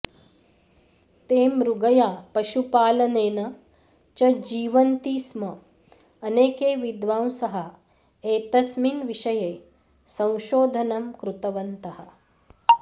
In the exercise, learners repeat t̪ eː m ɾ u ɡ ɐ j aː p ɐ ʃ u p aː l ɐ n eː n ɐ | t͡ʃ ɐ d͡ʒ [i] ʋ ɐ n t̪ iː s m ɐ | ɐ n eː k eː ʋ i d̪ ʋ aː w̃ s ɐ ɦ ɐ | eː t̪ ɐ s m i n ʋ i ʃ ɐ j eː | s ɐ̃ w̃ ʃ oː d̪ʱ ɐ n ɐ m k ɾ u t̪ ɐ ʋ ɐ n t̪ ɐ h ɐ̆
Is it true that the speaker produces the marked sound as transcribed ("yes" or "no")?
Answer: no